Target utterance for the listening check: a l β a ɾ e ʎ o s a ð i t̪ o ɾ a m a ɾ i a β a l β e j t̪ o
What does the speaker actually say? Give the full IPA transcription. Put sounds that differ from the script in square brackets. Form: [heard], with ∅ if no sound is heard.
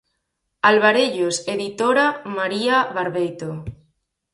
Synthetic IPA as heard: a l β a ɾ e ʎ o s [e] ð i t̪ o ɾ a m a ɾ i a β a [ɾ] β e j t̪ o